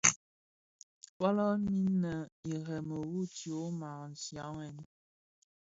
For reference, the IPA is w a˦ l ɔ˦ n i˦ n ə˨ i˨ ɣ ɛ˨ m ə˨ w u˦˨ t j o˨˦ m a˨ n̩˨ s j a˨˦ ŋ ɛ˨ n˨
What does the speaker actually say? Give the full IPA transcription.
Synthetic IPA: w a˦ l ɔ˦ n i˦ n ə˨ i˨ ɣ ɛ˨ m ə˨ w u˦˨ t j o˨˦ m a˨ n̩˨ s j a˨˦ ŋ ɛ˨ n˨